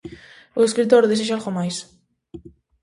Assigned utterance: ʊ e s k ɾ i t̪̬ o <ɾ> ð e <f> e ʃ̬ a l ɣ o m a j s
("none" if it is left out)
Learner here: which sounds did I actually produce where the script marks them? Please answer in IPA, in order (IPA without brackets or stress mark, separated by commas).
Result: ɾ, s